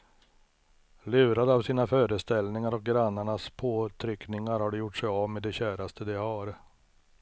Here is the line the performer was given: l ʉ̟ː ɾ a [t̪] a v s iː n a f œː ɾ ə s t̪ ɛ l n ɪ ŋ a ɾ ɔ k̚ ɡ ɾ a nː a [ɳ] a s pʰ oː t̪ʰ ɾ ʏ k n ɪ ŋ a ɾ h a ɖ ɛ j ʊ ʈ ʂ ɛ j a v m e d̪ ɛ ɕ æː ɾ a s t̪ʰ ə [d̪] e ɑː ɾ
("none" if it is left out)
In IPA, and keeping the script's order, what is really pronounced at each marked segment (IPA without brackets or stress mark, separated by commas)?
d̪, ɳ, d̪